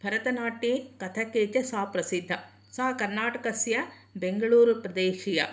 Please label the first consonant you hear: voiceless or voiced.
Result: voiced